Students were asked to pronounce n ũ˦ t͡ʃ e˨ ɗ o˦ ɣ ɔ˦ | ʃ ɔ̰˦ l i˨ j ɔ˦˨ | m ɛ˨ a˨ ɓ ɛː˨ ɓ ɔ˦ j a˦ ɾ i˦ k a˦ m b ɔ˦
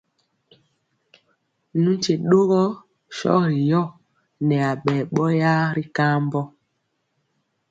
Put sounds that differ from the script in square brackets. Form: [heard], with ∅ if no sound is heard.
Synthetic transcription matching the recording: n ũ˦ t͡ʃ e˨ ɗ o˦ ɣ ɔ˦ | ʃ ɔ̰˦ [ɾ] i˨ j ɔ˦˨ | [n] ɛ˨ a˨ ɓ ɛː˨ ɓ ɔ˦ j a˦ ɾ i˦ k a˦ m b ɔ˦